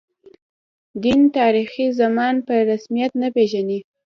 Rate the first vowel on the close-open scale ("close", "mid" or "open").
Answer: close